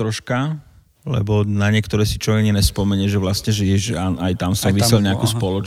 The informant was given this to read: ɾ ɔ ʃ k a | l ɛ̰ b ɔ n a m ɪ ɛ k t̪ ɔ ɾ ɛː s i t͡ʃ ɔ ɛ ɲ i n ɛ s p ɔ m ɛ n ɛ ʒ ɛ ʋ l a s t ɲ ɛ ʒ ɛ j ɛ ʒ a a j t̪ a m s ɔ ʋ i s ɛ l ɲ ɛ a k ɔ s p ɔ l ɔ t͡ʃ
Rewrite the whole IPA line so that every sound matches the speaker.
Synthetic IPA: ɾ ɔ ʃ k a | l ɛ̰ b ɔ n a ɲ ɪ ɛ k t̪ ɔ ɾ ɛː s i t͡ʃ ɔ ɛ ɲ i n ɛ s p ɔ m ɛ ɲ ɛ ʒ ɛ ʋ l a s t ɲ ɛ ʒ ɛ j ɛ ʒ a a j t̪ a m s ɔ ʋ i s ɛ l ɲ ɛ a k u s p ɔ l ɔ t͡ʃ